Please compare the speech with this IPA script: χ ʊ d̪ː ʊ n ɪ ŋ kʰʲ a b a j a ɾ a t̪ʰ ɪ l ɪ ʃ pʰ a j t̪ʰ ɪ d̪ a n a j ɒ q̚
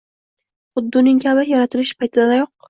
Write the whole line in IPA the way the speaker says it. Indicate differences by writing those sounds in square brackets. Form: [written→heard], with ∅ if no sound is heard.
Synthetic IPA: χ ʊ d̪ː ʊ n ɪ ŋ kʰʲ a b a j a ɾ a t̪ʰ ɪ l ɪ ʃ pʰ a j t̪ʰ ɪ d̪ a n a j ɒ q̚